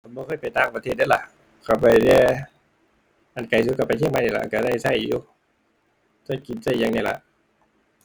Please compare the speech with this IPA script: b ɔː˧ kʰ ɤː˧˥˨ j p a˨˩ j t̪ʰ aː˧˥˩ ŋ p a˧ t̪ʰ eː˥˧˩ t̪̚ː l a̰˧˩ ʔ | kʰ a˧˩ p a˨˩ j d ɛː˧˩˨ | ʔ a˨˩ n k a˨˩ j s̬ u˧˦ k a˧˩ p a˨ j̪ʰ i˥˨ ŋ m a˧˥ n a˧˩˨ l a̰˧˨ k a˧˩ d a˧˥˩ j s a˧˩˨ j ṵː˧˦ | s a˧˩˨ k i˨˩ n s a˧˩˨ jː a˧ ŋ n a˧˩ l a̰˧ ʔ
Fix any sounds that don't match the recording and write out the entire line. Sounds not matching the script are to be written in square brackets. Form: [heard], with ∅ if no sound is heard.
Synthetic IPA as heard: b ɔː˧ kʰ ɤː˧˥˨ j p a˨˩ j [t̪] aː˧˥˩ ŋ p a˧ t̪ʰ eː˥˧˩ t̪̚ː l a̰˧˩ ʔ | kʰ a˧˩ p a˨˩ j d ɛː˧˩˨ | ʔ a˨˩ n k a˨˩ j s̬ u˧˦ k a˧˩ p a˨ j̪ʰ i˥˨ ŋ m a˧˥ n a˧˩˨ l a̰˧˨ k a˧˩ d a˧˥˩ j s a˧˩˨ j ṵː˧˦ | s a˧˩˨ k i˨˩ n s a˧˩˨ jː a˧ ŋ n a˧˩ l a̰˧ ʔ

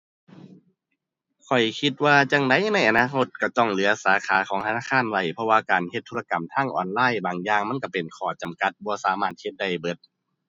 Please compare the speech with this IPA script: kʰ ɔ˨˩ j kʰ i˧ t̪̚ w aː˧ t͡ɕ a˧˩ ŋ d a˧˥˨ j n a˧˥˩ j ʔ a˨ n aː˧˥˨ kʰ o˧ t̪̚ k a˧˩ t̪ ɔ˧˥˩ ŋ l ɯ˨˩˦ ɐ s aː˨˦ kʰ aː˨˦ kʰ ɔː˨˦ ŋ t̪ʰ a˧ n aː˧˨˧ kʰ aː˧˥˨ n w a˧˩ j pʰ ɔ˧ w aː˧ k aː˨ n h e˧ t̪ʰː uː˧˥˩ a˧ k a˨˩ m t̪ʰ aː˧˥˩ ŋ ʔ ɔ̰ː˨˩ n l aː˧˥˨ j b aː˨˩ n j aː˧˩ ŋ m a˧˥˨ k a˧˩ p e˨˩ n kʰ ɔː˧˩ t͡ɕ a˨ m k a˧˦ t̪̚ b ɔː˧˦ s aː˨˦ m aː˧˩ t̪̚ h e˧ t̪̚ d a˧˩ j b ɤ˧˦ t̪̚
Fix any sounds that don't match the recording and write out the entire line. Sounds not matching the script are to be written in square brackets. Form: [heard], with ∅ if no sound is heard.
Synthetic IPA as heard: kʰ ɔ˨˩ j kʰ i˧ t̪̚ w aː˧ t͡ɕ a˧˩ ŋ d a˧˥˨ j n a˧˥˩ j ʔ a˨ n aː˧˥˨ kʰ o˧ t̪̚ k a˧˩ t̪ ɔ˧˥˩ ŋ l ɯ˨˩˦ ɐ s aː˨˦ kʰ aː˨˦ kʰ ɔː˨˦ ŋ t̪ʰ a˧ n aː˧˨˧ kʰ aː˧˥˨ n w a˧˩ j pʰ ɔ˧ w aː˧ k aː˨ n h e˧ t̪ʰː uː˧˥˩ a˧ k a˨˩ m t̪ʰ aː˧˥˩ ŋ ʔ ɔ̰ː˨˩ n l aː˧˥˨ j b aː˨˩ [ŋ] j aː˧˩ ŋ m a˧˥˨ k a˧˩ p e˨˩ n kʰ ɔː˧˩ t͡ɕ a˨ m k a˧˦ t̪̚ b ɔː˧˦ s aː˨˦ m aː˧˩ t̪̚ h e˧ t̪̚ d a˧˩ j b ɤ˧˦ t̪̚

